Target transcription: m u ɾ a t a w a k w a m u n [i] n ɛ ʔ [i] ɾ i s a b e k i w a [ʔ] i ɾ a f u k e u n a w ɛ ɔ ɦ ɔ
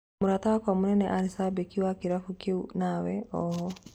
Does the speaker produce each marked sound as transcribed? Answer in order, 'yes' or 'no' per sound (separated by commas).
no, no, no